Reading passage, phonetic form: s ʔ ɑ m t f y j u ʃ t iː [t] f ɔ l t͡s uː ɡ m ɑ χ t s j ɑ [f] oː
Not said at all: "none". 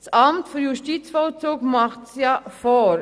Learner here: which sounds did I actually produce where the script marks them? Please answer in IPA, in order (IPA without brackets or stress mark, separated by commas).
t͡s, f